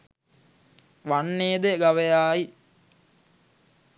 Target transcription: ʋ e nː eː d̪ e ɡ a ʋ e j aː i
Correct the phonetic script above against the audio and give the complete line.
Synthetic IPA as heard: ʋ a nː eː d̪ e ɡ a ʋ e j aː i